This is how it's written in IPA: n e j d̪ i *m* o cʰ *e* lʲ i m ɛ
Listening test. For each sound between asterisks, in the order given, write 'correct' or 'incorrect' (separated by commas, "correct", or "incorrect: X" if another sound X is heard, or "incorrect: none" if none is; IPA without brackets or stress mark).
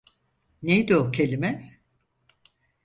incorrect: none, correct